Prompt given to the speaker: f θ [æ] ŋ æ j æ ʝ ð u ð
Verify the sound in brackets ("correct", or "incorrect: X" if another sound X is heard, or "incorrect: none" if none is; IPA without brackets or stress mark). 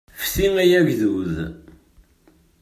incorrect: i